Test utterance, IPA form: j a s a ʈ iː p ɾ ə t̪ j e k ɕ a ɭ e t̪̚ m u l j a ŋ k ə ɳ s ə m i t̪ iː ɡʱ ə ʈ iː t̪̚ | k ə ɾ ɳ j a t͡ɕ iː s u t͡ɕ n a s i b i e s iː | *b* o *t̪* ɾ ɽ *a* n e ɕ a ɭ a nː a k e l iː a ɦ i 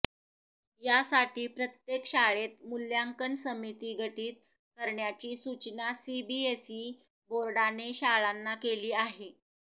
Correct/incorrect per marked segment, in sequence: correct, incorrect, correct

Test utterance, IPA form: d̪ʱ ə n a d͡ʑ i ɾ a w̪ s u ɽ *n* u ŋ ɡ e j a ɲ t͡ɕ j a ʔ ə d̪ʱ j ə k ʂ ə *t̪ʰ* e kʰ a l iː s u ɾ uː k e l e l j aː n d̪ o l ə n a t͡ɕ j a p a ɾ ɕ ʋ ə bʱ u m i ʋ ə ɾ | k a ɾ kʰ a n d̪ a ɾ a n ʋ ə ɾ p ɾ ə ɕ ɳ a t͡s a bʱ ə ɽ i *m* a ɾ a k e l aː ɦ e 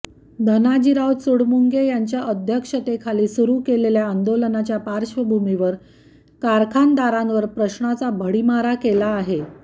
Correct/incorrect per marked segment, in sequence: incorrect, incorrect, correct

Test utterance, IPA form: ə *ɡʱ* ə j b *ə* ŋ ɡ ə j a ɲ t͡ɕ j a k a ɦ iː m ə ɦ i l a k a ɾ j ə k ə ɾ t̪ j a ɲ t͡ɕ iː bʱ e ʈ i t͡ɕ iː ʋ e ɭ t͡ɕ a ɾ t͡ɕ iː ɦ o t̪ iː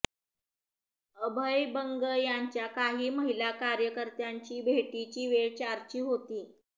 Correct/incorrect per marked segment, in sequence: incorrect, correct

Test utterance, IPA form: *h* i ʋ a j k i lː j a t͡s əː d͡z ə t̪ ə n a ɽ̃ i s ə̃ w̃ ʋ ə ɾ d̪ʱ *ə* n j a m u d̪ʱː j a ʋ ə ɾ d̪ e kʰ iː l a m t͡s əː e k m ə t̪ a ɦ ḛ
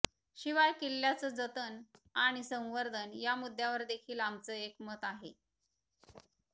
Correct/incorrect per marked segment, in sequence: incorrect, correct

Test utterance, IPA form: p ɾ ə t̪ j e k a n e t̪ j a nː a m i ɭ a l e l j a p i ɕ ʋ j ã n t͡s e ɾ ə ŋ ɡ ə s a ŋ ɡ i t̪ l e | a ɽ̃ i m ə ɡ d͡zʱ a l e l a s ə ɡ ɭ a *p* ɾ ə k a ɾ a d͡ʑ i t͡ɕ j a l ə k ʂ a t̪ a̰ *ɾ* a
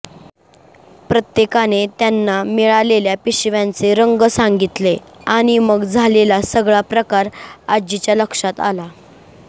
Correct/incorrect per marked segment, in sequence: correct, incorrect

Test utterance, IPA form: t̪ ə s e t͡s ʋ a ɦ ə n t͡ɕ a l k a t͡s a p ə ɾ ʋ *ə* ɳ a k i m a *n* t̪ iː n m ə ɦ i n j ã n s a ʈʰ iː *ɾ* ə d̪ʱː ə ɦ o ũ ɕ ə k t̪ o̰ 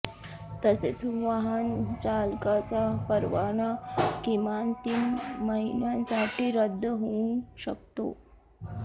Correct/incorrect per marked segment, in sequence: incorrect, correct, correct

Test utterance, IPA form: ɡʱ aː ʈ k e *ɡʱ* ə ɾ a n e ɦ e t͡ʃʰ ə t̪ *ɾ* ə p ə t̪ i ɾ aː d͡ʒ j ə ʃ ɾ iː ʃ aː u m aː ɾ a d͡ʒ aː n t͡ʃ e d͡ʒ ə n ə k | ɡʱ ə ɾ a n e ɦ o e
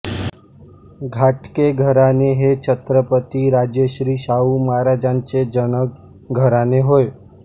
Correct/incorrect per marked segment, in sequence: correct, correct

